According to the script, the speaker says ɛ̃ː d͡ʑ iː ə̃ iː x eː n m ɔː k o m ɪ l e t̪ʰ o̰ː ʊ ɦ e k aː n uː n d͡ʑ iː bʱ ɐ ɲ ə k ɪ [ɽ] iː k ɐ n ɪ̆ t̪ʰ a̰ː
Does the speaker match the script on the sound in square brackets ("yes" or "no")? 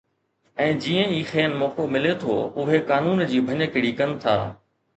yes